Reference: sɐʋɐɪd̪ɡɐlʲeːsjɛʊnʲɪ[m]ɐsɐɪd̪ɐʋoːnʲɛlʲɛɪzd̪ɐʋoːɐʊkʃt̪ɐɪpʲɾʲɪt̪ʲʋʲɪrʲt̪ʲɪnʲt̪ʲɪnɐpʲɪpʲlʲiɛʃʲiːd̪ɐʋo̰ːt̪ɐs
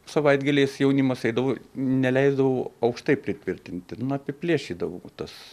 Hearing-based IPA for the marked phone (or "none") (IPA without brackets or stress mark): m